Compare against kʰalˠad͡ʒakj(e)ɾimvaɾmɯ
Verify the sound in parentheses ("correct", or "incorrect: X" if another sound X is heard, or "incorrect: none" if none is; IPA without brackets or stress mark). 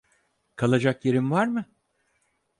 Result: correct